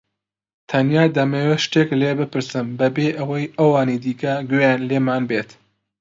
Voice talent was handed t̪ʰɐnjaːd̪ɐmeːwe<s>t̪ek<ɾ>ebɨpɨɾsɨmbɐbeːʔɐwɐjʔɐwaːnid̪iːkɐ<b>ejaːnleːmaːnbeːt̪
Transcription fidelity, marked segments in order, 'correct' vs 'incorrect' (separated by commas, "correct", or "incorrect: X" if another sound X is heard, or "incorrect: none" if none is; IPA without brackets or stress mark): incorrect: ʃ, incorrect: l, incorrect: ɡ